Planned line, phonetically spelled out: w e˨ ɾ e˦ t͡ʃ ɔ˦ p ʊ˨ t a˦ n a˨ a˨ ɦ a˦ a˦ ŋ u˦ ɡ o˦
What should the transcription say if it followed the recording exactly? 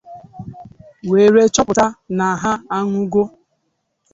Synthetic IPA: w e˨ ɾ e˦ t͡ʃ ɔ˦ p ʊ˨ t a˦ n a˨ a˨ ɦ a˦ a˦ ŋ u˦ ɡ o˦